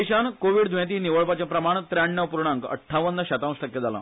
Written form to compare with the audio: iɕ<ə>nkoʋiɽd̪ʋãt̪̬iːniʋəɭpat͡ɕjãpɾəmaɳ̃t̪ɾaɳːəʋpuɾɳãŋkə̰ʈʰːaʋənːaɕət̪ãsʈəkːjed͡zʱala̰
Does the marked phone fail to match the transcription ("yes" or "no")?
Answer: yes